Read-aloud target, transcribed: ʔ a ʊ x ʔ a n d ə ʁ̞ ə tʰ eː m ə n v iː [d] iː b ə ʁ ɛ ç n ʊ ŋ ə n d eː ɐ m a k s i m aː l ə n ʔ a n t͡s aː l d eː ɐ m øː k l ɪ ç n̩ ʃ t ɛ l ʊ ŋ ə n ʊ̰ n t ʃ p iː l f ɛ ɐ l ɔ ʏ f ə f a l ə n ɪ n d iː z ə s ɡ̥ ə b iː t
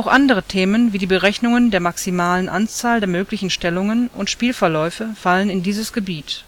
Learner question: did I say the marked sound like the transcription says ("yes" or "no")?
yes